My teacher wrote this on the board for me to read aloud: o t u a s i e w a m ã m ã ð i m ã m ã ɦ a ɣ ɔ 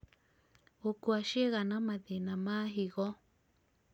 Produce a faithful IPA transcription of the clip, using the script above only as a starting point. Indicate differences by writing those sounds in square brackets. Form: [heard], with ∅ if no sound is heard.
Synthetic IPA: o [k] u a [ʃ] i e [ɣ] a [n] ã m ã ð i [n] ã m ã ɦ [i] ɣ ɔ